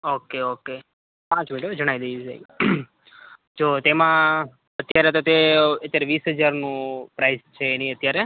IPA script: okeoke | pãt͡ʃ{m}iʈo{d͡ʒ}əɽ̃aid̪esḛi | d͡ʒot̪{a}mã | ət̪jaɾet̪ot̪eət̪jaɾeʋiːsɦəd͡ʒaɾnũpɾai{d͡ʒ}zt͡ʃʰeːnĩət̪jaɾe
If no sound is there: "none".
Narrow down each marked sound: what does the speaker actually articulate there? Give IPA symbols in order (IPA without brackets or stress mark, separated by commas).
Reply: m, d͡ʒ, e, none